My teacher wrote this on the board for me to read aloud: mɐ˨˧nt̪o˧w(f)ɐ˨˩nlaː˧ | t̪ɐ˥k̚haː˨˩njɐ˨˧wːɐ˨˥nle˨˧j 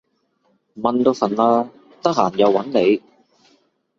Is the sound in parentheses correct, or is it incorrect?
correct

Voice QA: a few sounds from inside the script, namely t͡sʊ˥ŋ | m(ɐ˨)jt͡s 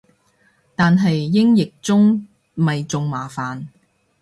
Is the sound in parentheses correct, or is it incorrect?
correct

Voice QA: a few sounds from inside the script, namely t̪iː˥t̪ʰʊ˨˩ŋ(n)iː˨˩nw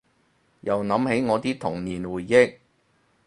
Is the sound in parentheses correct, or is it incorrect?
correct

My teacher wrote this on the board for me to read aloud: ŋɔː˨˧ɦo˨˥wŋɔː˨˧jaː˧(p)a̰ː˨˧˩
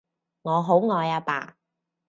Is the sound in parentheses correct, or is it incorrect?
correct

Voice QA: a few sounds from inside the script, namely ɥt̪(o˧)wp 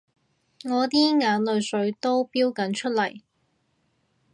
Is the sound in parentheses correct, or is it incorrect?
incorrect: o˥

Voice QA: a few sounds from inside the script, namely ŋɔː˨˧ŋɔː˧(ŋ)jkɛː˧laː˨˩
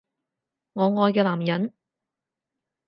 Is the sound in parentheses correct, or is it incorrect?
incorrect: none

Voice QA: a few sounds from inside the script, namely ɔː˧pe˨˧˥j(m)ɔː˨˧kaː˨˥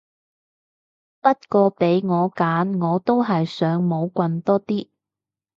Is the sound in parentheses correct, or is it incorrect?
incorrect: ŋ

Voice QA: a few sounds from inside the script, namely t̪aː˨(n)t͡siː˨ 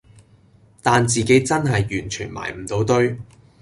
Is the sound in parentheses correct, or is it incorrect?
correct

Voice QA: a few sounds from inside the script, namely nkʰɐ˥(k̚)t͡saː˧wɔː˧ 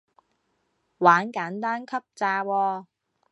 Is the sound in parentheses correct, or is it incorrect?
incorrect: p̚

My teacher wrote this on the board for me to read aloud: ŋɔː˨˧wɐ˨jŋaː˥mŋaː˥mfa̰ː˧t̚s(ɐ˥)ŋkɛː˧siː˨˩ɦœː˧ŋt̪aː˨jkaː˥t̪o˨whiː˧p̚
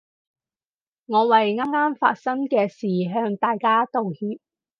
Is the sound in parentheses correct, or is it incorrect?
correct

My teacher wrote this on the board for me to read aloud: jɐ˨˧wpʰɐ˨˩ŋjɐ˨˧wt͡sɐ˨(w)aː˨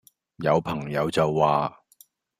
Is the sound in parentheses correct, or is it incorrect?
incorrect: wː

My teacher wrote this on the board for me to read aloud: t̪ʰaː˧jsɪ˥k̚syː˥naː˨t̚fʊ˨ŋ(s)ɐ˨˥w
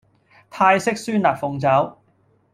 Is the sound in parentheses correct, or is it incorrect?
incorrect: t͡s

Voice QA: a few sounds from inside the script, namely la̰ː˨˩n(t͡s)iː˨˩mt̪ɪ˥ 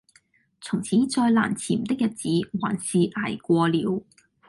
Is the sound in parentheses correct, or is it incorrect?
incorrect: t͡sʰ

